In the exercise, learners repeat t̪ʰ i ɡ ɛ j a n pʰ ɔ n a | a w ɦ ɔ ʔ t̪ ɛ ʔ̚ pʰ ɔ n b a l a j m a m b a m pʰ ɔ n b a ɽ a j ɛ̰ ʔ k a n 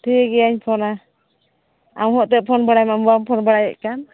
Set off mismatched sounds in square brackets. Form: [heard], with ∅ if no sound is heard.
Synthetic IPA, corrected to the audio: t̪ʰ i ɡ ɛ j a [ɲ] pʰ ɔ n a | a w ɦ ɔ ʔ t̪ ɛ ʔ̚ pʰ ɔ n b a [ɽ] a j m a m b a m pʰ ɔ n b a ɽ a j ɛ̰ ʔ k a n